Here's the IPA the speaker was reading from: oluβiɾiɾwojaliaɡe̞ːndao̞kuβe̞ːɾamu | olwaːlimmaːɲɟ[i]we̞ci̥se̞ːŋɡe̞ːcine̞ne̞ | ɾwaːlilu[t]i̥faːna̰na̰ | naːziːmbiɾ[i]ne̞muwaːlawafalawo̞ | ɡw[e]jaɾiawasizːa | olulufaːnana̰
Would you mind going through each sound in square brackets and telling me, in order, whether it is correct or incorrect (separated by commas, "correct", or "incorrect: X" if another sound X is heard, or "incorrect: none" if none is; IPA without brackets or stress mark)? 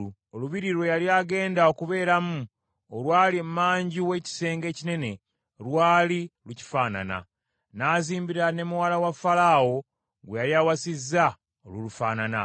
correct, incorrect: c, incorrect: a, correct